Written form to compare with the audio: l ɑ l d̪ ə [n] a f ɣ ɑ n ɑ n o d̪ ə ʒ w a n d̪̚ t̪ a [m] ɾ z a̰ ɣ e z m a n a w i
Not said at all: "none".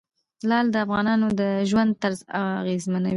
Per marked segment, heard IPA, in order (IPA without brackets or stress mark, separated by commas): none, none